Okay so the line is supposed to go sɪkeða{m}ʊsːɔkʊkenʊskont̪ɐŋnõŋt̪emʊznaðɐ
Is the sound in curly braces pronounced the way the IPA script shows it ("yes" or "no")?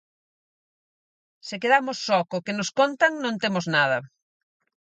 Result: yes